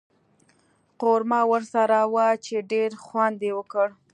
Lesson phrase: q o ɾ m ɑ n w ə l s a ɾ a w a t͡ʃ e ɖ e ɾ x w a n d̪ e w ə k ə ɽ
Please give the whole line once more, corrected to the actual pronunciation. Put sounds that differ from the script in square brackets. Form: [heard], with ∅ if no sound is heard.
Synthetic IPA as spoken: q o ɾ m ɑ [∅] w ə [ɾ] s a ɾ a w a t͡ʃ e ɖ e ɾ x w a n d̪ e w ə k ə ɽ